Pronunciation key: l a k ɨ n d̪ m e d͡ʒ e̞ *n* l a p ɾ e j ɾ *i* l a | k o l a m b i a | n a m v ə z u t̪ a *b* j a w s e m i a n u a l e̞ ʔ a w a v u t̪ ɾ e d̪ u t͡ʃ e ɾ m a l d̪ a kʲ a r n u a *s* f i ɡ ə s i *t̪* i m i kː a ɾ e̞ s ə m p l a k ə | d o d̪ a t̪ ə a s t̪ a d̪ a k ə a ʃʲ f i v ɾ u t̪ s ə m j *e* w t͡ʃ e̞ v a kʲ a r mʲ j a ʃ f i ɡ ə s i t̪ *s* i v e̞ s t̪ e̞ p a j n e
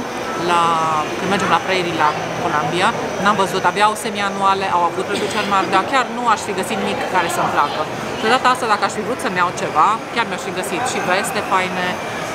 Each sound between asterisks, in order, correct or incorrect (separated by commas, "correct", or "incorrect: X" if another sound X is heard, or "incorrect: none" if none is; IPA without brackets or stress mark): incorrect: m, correct, correct, incorrect: ʃ, correct, incorrect: a, incorrect: ʃ